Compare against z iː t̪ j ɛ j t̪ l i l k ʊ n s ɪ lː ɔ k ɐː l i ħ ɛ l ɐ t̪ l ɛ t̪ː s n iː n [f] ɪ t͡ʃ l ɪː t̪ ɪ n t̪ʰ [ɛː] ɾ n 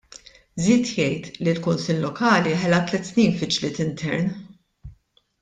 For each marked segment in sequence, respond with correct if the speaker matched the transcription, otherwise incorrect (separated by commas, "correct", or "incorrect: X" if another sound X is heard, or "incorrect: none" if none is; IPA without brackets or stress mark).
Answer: correct, incorrect: ɛ